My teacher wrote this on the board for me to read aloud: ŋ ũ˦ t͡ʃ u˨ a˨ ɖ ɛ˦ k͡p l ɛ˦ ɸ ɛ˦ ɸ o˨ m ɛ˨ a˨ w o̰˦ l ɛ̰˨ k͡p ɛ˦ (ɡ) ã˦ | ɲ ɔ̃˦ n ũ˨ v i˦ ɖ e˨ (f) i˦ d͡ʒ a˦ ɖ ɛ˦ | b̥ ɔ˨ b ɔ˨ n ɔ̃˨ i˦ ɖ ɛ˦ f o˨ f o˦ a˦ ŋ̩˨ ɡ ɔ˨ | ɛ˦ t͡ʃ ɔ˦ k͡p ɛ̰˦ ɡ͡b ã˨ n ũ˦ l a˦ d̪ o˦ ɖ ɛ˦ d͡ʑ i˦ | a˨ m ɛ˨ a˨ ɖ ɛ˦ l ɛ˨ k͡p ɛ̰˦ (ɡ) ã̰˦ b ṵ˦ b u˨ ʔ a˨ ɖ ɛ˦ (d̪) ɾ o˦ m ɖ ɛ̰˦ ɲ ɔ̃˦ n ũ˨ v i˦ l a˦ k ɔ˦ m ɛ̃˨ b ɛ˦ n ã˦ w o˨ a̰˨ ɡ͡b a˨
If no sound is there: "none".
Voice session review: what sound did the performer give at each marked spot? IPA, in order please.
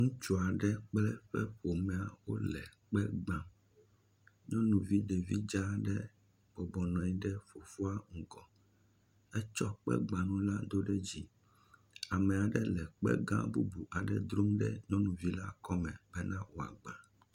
ɡ͡b, v, ɡ, d̪

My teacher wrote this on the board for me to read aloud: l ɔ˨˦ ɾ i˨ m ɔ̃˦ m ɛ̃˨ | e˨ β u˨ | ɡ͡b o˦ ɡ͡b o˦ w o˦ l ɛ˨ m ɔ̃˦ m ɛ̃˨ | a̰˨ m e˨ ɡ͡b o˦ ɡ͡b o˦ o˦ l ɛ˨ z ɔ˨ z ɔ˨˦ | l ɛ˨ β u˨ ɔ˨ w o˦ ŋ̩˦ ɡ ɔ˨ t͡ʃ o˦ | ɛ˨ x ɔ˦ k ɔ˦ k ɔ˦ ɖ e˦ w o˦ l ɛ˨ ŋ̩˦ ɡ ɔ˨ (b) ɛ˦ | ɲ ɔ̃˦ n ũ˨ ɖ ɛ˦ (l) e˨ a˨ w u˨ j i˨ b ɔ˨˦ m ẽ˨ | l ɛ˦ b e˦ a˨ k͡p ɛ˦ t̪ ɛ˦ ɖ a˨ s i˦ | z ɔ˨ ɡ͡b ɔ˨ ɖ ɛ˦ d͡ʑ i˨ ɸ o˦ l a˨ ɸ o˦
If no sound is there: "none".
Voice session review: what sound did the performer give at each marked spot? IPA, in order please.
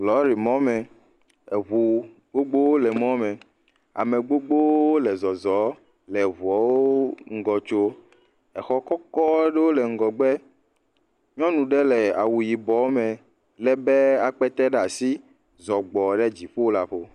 ɡ͡b, l

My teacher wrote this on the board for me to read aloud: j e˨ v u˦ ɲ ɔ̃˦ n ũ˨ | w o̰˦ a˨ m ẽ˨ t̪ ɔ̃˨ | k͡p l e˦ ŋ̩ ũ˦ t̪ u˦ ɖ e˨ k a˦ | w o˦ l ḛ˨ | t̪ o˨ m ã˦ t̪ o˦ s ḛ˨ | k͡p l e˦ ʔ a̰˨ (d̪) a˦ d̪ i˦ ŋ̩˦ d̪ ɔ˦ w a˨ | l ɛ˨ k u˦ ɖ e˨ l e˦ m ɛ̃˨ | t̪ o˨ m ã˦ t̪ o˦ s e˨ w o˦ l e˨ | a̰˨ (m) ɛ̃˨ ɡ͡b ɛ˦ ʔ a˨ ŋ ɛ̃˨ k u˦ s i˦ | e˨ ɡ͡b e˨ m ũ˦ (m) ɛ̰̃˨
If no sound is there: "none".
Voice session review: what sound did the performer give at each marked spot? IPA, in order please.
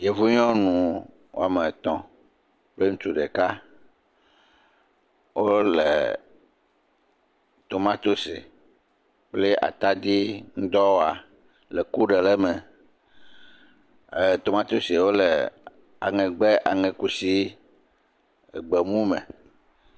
t̪, ŋ, m

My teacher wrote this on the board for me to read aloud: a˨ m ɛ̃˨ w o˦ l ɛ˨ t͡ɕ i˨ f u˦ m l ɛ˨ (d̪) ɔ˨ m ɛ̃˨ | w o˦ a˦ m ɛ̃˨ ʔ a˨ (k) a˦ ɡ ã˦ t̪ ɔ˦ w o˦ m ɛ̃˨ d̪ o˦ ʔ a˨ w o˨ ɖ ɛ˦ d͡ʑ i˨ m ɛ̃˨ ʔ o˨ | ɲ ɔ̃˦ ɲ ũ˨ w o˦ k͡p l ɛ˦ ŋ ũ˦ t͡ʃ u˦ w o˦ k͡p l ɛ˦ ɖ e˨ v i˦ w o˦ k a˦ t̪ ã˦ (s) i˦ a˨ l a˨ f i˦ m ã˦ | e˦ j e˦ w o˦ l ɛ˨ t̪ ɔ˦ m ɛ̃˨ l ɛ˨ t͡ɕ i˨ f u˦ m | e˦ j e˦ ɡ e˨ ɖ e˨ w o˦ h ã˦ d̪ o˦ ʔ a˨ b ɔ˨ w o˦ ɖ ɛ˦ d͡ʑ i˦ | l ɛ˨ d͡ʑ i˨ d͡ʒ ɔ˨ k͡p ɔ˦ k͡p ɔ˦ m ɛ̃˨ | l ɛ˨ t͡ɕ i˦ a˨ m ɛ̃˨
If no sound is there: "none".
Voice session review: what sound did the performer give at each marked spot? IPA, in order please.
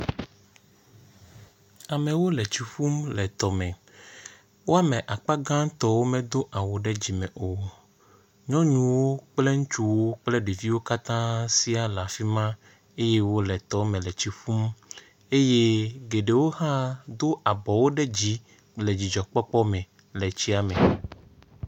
t̪, k͡p, s

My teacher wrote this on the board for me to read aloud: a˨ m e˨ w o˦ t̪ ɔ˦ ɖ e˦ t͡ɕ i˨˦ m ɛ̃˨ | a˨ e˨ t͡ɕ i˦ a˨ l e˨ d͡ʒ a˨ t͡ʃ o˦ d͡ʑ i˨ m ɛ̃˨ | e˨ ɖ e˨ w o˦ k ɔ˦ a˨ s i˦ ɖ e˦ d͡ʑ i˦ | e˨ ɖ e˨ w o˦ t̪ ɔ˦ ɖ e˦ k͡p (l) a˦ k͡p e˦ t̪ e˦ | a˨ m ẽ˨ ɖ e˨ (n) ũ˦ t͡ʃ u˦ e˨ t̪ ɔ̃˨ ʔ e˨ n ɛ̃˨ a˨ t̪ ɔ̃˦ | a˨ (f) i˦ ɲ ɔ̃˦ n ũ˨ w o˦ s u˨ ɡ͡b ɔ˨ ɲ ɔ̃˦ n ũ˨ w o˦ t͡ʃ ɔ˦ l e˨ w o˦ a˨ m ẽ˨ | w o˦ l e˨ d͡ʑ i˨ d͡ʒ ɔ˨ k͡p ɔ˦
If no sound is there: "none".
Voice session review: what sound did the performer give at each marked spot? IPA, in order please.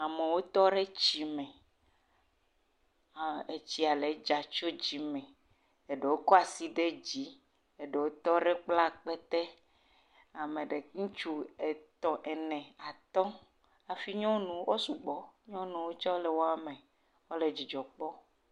l, ŋ, f

